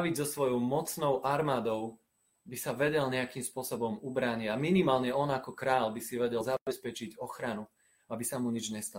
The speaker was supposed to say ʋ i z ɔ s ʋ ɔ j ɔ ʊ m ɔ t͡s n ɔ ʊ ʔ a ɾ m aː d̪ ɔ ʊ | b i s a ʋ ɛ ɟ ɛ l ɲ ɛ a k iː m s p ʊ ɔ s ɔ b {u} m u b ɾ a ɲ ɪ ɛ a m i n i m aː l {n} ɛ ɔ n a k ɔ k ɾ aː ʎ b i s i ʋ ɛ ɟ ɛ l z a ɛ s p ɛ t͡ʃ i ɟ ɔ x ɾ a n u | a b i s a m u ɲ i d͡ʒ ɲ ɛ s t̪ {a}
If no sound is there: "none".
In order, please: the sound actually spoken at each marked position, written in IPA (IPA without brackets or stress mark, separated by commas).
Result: ɔ, ɲ, a